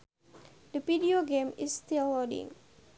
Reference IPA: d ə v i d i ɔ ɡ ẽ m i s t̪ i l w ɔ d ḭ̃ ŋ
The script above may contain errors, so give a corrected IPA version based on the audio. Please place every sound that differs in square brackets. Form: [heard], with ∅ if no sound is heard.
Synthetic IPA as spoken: d ə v i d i [o] ɡ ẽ m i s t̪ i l w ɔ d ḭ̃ ŋ